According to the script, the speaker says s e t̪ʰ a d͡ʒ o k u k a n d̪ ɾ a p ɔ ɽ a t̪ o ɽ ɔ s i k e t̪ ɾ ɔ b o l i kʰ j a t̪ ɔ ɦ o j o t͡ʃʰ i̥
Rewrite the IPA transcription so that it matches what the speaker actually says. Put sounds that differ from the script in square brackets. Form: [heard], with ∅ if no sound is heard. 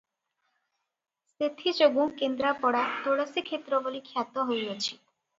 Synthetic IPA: s e t̪ʰ [i] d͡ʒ o [ɡ] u k [e] n d̪ ɾ a p ɔ ɽ a t̪ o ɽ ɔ s i [kʰ] e t̪ ɾ ɔ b o l i kʰ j a t̪ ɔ ɦ o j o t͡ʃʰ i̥